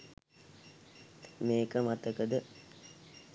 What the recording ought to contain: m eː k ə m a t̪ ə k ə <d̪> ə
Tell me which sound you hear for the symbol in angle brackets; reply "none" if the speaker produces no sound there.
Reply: d̪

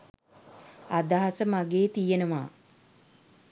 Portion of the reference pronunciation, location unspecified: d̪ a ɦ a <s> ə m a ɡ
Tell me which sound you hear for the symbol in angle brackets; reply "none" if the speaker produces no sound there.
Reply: s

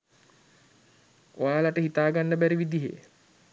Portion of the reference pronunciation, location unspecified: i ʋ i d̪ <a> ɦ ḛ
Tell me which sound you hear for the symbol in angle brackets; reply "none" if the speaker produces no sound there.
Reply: i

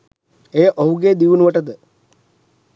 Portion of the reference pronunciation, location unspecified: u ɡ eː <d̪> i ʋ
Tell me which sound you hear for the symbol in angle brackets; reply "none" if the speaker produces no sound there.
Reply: d̪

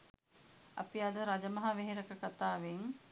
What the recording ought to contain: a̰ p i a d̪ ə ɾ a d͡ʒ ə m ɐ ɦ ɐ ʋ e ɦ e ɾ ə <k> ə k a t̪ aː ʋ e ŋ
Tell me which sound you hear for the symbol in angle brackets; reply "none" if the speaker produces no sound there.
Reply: k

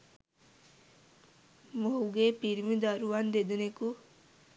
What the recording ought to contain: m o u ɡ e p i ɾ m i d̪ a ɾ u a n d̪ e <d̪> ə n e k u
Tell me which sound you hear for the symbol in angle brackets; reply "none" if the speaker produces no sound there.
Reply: d̪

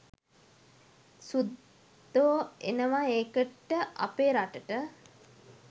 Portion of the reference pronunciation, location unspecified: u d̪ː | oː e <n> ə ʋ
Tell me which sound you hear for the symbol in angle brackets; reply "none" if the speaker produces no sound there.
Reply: n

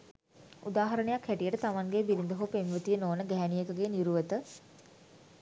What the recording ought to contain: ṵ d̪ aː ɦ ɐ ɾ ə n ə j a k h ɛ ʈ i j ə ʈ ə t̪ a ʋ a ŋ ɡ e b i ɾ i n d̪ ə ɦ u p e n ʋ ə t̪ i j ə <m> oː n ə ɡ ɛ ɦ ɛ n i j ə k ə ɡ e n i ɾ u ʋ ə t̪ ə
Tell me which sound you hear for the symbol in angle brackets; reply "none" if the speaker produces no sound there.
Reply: n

